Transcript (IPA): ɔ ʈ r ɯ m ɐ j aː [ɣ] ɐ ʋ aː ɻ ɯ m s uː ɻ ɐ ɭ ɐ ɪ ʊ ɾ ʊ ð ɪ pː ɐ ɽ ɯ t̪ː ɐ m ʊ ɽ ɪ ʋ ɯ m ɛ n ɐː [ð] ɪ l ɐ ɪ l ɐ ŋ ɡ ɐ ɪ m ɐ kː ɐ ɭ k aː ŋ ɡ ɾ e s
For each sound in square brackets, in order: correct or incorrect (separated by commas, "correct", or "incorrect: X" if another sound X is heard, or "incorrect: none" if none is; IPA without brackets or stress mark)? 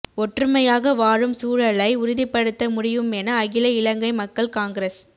correct, incorrect: ɣ